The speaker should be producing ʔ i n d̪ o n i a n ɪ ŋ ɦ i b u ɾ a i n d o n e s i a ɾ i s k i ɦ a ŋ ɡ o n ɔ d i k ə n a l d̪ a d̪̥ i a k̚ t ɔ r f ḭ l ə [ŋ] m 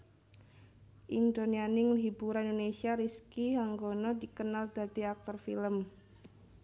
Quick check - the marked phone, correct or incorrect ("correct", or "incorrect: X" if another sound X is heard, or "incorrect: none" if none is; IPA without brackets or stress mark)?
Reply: incorrect: none